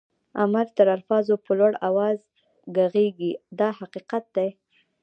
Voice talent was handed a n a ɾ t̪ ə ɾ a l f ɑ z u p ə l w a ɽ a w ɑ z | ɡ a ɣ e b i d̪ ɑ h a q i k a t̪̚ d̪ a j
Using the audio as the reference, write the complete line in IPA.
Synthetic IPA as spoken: a m a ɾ t̪ ə ɾ a l f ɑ z o p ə l w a ɽ a w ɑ z | ɡ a ɣ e ɡ i d̪ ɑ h a q i q a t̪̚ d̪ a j